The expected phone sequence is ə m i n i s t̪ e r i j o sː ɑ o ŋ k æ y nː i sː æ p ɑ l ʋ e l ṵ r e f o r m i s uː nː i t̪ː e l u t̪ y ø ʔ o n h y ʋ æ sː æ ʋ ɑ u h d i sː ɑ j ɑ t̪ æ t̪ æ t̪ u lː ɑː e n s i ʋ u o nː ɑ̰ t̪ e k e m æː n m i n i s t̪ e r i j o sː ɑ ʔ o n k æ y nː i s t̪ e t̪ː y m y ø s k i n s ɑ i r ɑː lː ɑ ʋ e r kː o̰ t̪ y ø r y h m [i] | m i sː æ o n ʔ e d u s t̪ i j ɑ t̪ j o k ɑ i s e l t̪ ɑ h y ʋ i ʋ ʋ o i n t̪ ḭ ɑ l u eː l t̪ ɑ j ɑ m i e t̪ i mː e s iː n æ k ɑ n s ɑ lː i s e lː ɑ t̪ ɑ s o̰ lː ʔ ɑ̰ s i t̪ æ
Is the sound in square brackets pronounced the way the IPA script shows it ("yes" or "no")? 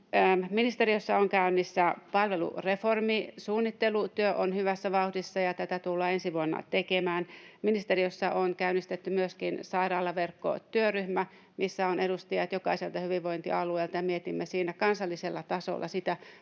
no